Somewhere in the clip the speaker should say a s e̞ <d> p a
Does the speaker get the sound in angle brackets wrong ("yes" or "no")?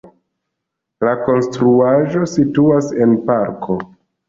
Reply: yes